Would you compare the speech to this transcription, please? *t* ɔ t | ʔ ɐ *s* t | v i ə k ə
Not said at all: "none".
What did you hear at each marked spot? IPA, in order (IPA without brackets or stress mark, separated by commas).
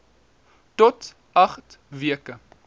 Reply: t, χ